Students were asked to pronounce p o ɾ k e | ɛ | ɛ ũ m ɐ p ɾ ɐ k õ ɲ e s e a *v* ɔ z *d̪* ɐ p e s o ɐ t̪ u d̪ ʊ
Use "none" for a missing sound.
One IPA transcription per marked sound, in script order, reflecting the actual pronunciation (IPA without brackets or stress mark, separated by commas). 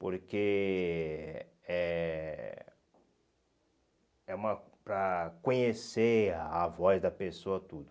v, d̪